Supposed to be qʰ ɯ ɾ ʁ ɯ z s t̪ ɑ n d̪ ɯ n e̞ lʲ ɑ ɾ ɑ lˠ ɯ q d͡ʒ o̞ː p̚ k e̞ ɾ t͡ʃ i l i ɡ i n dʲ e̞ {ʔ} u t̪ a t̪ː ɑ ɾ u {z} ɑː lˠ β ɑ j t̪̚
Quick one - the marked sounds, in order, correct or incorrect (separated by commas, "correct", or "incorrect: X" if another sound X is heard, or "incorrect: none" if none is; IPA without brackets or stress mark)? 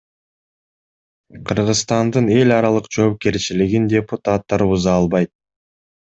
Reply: incorrect: p, correct